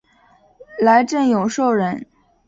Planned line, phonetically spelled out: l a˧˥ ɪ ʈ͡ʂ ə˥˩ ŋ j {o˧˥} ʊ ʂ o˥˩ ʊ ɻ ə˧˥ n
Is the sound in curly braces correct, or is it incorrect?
incorrect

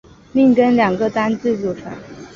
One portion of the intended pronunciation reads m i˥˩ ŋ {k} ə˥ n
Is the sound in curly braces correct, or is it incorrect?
correct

